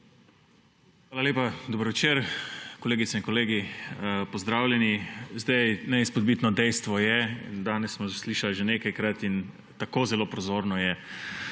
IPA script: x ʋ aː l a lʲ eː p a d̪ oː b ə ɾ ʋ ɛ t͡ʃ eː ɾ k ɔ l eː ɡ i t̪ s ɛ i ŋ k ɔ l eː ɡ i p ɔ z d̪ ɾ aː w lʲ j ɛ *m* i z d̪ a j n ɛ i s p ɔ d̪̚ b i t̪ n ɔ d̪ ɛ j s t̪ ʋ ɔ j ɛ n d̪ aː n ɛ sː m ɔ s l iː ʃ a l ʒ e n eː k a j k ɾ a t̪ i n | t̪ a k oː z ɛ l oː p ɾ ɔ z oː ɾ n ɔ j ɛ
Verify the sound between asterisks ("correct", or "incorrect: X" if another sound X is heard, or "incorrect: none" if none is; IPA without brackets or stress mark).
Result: incorrect: n